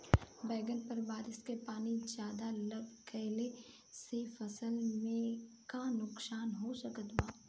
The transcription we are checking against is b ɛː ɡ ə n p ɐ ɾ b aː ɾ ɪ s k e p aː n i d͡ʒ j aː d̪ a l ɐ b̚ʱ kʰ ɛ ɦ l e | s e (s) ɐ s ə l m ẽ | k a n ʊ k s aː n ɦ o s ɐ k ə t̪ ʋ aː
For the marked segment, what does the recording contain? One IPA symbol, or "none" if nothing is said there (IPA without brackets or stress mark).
f